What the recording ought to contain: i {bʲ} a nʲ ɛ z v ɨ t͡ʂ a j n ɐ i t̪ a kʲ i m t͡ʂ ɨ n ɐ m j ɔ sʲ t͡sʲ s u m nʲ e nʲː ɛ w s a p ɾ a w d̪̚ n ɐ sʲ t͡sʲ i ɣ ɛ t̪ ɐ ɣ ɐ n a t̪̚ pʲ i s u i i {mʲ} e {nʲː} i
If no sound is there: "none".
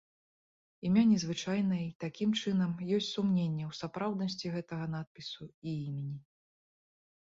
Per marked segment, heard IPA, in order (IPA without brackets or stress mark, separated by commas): mʲ, mʲ, nʲ